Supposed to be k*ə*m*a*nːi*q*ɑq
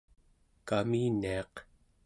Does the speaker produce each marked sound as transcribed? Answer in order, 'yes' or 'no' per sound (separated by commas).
no, no, no